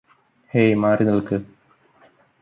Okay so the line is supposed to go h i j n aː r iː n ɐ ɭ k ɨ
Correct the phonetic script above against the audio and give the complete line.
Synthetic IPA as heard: h e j m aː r i n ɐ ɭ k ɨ